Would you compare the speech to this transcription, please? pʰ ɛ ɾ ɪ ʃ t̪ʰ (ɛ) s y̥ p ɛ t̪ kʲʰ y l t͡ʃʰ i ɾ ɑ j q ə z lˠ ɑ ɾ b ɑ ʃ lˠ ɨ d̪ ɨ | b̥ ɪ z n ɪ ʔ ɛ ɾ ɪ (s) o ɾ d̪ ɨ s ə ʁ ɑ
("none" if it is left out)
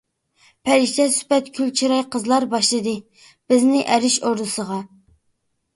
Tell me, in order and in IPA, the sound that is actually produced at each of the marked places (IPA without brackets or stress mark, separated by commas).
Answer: ɛ, ʃ